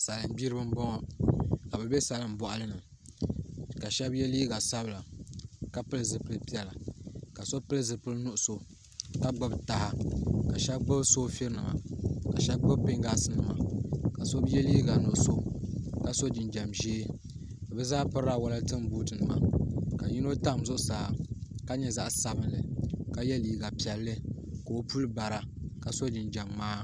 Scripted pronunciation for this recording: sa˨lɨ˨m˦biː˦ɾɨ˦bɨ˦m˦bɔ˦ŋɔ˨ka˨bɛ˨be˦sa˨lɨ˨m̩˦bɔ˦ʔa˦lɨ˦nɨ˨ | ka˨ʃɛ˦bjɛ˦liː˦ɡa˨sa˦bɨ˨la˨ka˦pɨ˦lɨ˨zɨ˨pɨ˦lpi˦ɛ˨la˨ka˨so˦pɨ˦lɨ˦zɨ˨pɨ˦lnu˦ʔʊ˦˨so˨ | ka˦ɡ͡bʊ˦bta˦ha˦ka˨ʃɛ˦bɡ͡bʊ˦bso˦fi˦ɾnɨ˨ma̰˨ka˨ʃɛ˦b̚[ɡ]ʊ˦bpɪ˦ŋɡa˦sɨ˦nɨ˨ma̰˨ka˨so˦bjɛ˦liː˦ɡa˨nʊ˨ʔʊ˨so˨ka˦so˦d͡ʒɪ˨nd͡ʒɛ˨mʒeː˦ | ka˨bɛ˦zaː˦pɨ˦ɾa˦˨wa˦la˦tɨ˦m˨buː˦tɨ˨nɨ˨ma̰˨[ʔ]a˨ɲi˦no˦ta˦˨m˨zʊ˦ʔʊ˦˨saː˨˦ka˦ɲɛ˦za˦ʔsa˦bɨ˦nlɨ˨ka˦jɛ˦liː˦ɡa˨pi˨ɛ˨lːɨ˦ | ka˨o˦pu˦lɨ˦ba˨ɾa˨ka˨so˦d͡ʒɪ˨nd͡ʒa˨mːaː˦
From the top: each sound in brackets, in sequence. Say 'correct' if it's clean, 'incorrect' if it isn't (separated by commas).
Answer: incorrect, incorrect